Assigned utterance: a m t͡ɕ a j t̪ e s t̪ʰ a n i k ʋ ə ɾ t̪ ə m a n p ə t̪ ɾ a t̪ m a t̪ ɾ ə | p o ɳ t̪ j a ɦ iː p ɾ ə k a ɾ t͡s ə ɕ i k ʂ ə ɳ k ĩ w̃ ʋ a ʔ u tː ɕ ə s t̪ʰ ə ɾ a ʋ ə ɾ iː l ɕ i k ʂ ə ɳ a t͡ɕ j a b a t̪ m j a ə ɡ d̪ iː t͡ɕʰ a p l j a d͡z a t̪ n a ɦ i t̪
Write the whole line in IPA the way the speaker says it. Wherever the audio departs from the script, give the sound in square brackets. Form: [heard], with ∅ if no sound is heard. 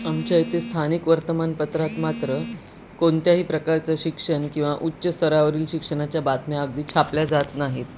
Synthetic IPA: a m t͡ɕ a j t̪ e s t̪ʰ a n i k ʋ ə ɾ t̪ ə m a n p ə t̪ ɾ a t̪ m a t̪ ɾ ə | [k] o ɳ t̪ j a ɦ iː p ɾ ə k a ɾ t͡s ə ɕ i k ʂ ə ɳ k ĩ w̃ ʋ a ʔ u tː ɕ ə s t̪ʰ ə ɾ a ʋ ə ɾ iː l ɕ i k ʂ ə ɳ a t͡ɕ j a b a t̪ m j a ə ɡ d̪ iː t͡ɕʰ a p l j a d͡z a t̪ n a ɦ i t̪